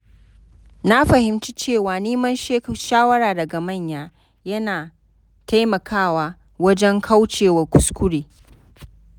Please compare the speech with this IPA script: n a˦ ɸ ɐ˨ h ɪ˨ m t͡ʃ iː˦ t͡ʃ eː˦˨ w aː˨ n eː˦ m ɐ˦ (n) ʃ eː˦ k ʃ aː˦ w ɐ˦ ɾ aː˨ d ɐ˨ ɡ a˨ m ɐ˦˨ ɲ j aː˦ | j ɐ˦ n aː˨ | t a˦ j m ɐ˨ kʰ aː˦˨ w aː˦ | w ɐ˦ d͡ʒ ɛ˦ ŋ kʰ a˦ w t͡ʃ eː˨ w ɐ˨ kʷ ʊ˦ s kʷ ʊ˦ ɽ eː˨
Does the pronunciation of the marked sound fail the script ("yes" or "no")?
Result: no